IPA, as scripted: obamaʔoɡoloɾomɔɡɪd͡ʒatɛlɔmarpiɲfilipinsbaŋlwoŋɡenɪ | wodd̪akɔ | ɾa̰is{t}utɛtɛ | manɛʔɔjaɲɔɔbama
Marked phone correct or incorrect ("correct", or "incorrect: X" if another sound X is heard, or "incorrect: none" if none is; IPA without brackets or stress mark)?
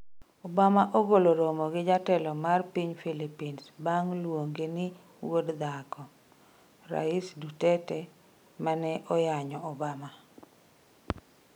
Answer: incorrect: d